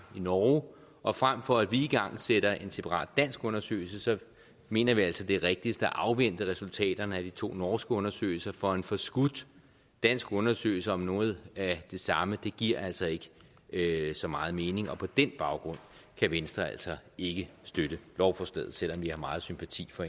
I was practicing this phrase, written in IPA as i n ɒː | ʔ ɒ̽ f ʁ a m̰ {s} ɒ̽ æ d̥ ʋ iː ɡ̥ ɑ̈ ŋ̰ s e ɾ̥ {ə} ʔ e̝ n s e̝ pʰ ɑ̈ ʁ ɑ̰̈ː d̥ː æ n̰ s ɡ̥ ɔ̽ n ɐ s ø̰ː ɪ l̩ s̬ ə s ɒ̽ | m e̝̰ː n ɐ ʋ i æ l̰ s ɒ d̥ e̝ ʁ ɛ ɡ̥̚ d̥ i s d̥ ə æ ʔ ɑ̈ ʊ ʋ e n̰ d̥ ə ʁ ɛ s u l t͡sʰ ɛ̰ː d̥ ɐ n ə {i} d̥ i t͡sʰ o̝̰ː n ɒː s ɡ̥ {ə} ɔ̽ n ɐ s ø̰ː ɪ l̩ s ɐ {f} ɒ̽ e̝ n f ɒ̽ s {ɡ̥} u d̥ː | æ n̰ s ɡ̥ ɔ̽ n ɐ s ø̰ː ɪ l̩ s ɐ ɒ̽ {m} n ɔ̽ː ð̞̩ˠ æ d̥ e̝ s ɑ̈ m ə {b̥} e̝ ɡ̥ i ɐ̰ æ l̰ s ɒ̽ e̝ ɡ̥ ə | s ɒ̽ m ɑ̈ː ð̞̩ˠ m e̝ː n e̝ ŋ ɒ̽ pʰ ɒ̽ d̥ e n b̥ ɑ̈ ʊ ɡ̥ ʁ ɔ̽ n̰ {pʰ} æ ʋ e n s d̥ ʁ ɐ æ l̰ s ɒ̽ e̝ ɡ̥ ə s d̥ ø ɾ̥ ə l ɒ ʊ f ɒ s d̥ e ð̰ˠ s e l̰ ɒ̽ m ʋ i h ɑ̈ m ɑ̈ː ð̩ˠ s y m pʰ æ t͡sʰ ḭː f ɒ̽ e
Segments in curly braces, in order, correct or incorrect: incorrect: f, incorrect: ɐ, incorrect: æ, correct, correct, correct, correct, incorrect: d̥, incorrect: kʰ

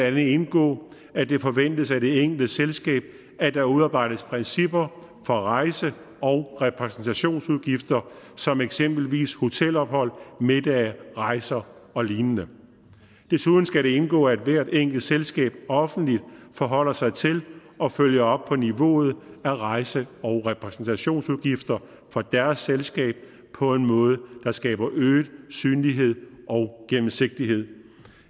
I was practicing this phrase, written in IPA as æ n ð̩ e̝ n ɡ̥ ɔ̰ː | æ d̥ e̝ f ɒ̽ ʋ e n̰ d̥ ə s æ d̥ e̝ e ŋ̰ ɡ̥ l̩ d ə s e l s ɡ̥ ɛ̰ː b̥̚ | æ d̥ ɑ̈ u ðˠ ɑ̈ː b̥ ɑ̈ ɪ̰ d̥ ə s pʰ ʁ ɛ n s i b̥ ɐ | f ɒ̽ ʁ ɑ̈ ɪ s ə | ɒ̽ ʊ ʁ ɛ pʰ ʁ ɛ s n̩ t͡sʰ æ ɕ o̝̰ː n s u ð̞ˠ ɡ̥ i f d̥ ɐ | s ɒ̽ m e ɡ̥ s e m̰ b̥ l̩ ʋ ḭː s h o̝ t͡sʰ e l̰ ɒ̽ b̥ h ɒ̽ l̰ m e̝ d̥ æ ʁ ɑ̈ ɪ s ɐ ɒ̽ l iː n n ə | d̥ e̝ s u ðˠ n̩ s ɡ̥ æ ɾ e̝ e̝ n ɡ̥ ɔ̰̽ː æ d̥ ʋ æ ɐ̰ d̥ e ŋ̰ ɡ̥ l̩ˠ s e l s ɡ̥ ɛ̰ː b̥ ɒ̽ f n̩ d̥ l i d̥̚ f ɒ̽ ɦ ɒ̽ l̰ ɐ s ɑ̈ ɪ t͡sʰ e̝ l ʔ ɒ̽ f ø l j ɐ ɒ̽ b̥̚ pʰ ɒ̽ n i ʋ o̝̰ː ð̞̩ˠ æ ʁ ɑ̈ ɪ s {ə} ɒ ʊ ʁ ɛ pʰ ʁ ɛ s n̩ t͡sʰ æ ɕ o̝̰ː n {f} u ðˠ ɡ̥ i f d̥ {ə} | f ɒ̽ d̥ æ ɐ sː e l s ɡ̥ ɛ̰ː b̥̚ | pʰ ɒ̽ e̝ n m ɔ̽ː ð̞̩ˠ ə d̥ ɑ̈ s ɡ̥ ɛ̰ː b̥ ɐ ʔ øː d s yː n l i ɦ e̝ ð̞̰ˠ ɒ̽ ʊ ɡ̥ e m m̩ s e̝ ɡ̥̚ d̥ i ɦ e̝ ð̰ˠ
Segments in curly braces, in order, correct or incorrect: correct, incorrect: s, incorrect: ɐ

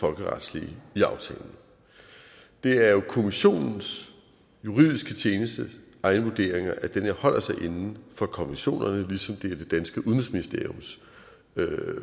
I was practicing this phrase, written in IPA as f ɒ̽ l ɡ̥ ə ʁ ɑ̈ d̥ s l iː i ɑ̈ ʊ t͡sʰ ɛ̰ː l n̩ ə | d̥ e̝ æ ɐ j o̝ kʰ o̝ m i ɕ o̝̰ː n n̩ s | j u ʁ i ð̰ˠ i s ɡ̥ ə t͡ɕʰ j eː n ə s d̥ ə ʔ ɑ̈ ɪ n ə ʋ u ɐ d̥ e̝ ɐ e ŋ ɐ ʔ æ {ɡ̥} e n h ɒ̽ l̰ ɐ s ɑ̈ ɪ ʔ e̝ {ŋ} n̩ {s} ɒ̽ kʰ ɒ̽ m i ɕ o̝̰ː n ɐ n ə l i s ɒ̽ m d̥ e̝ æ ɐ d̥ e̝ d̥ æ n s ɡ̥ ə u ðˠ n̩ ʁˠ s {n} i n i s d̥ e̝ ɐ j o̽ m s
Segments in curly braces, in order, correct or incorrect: incorrect: d̥, incorrect: n, incorrect: f, incorrect: m

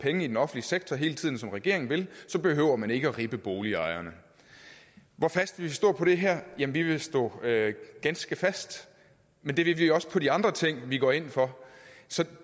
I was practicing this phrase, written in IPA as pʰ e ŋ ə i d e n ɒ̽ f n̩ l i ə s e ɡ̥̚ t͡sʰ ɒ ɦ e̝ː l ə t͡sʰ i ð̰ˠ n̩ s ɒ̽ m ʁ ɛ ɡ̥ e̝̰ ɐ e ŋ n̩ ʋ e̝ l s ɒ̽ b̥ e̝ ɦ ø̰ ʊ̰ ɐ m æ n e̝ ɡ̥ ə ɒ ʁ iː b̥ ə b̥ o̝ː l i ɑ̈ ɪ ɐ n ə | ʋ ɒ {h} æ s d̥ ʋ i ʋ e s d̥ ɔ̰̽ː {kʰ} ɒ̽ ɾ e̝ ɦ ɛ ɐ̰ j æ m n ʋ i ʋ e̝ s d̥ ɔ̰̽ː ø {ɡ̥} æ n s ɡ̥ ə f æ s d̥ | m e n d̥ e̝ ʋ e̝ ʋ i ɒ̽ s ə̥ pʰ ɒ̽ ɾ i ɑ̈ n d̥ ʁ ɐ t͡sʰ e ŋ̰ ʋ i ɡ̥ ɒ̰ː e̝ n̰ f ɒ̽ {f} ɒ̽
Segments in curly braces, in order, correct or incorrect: incorrect: f, incorrect: pʰ, correct, incorrect: s

